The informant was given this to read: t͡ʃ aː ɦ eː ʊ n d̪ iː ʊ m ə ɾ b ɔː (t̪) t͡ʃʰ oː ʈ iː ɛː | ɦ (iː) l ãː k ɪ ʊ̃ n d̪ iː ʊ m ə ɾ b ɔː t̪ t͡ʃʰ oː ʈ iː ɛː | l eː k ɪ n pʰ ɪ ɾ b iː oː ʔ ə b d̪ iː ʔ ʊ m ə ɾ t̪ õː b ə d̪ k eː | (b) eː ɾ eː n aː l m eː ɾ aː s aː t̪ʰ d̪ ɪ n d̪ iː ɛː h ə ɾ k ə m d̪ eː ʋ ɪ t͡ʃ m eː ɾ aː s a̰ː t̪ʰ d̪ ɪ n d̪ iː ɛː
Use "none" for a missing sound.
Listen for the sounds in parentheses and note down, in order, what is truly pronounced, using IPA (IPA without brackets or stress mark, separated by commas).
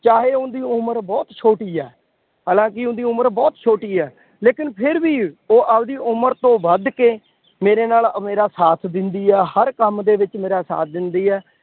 t̪, aː, m